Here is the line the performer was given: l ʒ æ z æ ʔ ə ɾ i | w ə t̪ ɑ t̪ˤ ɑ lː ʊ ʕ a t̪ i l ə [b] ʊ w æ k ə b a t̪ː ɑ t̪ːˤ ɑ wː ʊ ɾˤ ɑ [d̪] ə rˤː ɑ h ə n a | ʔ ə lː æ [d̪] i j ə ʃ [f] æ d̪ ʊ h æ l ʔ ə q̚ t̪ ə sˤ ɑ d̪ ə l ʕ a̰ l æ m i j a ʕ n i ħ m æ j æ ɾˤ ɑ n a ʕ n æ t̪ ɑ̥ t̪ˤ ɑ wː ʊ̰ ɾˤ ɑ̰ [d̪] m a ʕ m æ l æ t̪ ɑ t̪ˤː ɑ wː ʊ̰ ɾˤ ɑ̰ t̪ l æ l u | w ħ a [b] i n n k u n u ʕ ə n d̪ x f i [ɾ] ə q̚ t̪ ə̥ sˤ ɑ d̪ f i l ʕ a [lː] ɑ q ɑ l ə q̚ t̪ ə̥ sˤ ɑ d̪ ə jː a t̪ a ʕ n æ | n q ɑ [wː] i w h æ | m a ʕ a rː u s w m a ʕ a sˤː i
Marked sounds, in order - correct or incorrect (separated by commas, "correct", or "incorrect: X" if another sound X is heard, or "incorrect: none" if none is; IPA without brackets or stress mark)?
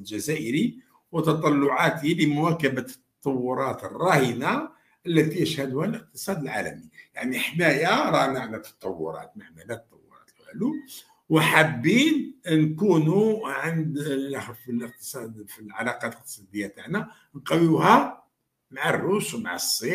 incorrect: m, incorrect: t̪, incorrect: t̪, incorrect: h, incorrect: t̪, incorrect: bː, incorrect: l, incorrect: l, incorrect: w